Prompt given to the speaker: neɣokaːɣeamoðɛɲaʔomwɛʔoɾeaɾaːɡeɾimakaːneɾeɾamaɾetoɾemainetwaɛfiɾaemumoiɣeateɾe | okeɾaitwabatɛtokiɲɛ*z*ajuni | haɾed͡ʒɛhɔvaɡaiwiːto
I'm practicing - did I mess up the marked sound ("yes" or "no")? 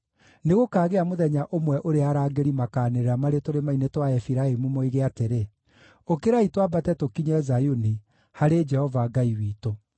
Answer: no